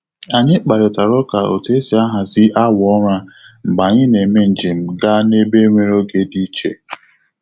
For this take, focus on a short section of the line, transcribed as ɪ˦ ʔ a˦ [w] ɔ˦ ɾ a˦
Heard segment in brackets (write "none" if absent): w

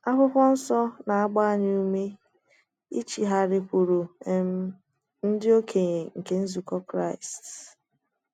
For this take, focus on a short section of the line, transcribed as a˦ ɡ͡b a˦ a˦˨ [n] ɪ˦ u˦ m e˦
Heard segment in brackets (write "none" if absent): ɲ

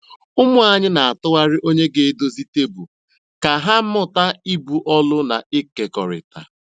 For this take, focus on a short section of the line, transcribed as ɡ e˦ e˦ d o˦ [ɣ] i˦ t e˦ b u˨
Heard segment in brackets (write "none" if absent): z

